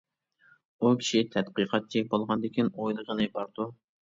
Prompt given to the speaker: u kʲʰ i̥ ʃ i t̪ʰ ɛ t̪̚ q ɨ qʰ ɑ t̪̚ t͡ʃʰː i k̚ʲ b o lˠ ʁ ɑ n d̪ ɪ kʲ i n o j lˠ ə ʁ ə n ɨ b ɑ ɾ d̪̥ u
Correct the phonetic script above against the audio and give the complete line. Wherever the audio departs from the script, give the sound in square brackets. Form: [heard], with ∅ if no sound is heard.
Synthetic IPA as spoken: u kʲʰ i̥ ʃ i t̪ʰ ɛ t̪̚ q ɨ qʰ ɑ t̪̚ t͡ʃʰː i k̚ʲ b o lˠ ʁ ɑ n d̪ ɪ kʲ i n o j lˠ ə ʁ ə n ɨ b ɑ ɾ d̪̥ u